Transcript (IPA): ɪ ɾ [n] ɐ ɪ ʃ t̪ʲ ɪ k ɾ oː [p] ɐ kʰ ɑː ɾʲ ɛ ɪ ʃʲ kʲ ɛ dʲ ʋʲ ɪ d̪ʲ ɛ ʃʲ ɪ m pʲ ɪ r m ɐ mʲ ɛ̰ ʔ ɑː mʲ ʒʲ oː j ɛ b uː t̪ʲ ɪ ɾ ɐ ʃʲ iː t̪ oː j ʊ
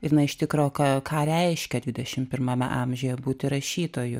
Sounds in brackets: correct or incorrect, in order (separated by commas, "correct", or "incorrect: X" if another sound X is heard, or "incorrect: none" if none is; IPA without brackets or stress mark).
correct, incorrect: k